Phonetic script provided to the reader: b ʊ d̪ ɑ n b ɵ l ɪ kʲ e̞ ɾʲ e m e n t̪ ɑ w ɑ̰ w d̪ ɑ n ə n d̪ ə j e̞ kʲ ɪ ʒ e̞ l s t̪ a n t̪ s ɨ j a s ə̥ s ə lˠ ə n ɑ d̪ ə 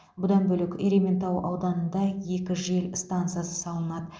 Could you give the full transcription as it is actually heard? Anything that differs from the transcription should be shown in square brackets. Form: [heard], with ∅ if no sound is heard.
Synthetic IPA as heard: b ʊ d̪ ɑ n b ɵ l ɪ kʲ e̞ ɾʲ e m e n t̪ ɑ w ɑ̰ w d̪ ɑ n ə n d̪ [ɑ] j e̞ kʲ ɪ ʒ e̞ l s t̪ a n t̪ s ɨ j a s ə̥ s [ɑ] lˠ ə n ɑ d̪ ə